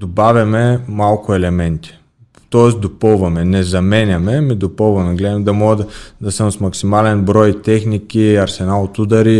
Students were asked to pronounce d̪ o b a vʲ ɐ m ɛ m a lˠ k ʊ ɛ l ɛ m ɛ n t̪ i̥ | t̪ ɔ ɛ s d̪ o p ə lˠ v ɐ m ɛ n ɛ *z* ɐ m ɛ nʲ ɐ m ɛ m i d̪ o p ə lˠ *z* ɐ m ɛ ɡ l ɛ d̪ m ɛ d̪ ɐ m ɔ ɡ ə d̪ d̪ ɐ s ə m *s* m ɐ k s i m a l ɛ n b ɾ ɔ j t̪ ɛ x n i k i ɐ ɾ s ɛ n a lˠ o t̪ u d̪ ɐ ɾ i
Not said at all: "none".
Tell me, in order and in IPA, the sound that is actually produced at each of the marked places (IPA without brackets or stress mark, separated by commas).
z, v, s